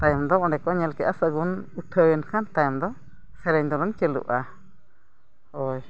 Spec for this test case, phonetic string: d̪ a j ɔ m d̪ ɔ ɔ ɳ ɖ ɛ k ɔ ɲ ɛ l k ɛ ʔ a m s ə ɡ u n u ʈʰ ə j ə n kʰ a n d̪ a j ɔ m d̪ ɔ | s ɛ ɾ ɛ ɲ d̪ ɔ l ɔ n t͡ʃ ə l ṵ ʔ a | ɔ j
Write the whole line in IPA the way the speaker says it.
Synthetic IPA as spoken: t̪ a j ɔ m d̪ ɔ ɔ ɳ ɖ ɛ k ɔ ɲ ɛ l k ɛ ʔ a s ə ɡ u n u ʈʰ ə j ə n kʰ a n t̪ a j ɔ m d̪ ɔ | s ɛ ɾ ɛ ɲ d̪ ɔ l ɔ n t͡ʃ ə l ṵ ʔ a | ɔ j

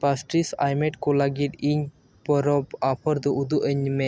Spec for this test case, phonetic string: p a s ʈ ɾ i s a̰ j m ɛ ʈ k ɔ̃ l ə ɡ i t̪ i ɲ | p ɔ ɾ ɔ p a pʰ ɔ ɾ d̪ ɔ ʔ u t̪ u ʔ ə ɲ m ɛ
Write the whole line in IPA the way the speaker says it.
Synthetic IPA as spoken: p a s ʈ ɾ i s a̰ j m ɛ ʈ k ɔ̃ l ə ɡ i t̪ i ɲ | p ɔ ɾ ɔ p a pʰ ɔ ɾ d̪ ɔ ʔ u d̪ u ʔ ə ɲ m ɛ

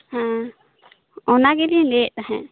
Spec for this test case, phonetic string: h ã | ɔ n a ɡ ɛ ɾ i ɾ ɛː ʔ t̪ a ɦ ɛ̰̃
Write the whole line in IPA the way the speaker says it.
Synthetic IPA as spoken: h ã | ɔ n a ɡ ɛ l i l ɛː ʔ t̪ a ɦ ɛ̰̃

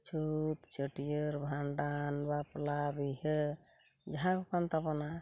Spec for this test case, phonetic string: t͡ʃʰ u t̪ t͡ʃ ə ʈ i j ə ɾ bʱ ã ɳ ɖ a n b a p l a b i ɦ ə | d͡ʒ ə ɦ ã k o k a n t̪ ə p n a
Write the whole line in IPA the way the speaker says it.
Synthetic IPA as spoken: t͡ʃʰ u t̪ t͡ʃ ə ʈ i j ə ɾ bʱ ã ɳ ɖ a n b a p l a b i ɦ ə | d͡ʒ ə ɦ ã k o k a n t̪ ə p n a

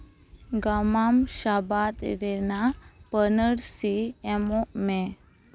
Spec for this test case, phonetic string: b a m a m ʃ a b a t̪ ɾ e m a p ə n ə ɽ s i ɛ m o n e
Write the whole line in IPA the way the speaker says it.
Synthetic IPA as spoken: ɡ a m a m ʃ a b a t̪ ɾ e n a p ə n ə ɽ s i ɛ m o m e

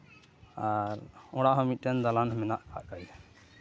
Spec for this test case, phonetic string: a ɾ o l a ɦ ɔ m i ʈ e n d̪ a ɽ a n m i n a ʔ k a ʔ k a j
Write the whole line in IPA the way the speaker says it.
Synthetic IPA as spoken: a ɾ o ɽ a ɦ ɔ m i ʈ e n d̪ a l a n m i n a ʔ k a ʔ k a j

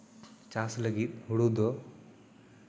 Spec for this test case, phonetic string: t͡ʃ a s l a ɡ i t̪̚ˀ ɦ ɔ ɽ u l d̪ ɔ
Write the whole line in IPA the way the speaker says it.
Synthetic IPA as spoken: t͡ʃ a s l ə ɡ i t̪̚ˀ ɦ u ɽ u d̪ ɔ

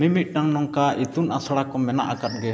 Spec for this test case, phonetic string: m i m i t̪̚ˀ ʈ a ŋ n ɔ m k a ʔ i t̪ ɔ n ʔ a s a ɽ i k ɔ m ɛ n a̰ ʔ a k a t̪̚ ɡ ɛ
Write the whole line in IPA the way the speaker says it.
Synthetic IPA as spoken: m i m i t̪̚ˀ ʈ a ŋ n ɔ ŋ k a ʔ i t̪ u n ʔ a s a ɽ a k ɔ m ɛ n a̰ ʔ a k a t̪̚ ɡ ɛ

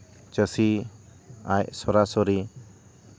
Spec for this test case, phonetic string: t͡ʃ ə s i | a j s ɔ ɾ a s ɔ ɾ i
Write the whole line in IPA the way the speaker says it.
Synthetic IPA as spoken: t͡ʃ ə s i | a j s ɔ ɾ a s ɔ ɾ i

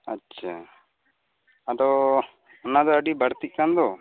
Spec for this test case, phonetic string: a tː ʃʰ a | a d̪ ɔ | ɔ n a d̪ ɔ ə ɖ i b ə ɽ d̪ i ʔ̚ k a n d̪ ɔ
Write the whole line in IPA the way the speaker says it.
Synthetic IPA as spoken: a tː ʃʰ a | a d̪ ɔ | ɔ n a d̪ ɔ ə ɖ i b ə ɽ t̪ i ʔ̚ k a n d̪ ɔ

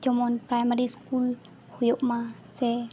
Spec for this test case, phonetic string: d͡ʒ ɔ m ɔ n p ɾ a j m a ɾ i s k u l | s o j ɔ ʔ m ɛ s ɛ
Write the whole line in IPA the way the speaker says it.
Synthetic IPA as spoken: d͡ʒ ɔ m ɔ n p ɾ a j m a ɾ i s k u l | h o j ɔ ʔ m a s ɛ

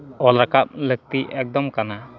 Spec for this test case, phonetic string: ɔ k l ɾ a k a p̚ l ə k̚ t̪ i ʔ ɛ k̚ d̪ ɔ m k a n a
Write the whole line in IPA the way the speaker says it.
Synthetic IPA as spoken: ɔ l ɾ a k a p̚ l ə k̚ t̪ i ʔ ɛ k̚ d̪ ɔ m k a n a

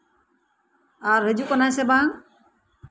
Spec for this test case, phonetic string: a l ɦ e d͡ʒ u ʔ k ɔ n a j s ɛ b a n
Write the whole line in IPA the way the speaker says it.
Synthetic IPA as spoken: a ɾ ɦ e d͡ʒ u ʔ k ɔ n a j s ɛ b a ŋ

